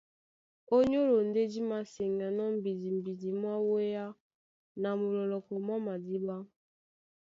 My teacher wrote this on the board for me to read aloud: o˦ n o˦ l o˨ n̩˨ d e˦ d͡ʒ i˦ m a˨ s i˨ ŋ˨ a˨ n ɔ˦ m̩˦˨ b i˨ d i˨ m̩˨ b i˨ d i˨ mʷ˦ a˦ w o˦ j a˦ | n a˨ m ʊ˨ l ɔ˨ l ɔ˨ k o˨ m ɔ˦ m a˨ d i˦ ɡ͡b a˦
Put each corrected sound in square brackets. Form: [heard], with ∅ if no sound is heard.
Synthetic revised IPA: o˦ [ɲ] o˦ [ɾ] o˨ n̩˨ d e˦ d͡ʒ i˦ m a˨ s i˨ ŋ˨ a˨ n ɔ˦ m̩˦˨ b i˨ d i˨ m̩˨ b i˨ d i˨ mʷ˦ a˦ w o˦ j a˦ | n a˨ m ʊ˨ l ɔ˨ l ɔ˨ k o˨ m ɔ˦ m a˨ d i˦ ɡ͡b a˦